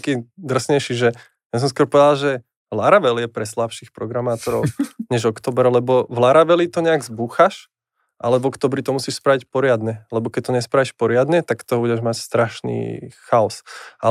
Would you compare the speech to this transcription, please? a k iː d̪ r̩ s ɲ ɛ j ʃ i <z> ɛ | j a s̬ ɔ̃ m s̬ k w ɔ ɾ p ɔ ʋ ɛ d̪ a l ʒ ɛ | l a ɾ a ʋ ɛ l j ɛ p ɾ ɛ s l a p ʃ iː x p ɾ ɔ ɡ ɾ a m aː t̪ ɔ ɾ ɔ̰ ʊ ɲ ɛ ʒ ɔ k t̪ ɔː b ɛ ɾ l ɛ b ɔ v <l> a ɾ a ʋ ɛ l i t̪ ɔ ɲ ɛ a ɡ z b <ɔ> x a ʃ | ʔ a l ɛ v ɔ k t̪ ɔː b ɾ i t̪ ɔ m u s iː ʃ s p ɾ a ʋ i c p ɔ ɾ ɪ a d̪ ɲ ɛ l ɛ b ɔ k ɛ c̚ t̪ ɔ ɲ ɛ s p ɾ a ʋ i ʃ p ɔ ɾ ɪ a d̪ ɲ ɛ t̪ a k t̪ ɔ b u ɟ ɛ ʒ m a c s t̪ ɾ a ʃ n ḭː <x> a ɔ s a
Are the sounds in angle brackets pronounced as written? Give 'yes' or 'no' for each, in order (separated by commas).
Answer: no, yes, no, yes